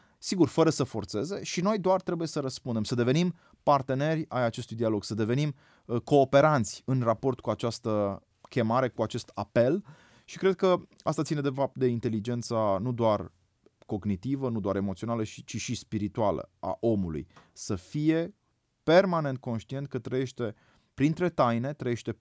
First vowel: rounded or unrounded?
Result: unrounded